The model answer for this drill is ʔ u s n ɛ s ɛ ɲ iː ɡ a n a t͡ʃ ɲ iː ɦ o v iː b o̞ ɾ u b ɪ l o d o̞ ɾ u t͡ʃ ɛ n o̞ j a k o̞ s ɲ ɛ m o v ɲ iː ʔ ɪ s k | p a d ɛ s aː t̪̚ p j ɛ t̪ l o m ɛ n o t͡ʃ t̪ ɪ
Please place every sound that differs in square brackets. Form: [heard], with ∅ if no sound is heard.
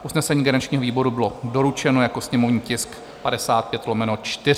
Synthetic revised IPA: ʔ u s n ɛ s ɛ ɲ iː ɡ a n a t͡ʃ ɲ iː ɦ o v iː b o̞ ɾ u b ɪ l o d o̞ ɾ u t͡ʃ ɛ n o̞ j a k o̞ s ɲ ɛ m o v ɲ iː [c] ɪ s k | p a d ɛ s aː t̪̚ p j ɛ t̪ l o m ɛ n o t͡ʃ t̪ ɪ